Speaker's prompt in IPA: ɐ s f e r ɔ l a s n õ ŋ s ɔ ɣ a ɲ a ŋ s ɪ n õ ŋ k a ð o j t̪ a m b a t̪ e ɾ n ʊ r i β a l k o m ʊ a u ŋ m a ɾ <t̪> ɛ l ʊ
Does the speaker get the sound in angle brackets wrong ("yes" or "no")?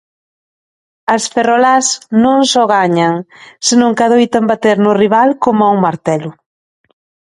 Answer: no